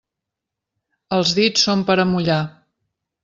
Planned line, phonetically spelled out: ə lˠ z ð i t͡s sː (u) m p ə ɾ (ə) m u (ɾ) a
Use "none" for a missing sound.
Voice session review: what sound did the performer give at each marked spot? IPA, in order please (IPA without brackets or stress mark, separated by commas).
o, ə, ʎ